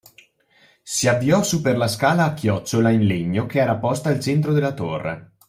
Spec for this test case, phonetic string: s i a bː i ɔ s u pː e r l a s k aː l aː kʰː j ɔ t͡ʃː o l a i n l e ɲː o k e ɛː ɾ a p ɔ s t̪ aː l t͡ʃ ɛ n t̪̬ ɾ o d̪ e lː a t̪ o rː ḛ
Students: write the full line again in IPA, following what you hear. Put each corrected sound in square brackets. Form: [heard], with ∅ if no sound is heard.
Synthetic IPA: s i a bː i ɔ s u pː e r l a s k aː l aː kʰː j ɔ t͡ʃː o l a i n l e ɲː o k e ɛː ɾ a p ɔ s t̪ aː l t͡ʃ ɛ n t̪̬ ɾ o d̪ e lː a t̪ o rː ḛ